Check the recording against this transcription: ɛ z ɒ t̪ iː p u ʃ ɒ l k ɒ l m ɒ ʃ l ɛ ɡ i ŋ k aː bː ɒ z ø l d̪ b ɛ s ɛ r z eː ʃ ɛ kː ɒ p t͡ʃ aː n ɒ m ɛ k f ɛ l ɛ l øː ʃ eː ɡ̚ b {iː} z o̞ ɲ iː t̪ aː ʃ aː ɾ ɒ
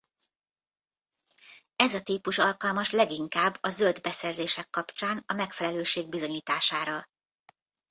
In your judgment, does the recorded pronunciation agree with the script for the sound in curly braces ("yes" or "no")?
no